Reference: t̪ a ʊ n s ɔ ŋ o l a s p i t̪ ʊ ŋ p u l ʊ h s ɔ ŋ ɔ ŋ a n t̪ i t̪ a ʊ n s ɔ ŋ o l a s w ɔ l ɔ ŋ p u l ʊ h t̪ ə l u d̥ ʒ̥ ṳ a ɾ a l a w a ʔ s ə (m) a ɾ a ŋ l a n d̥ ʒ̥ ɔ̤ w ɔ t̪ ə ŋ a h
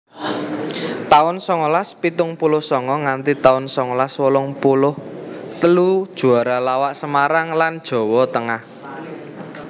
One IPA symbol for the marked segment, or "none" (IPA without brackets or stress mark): m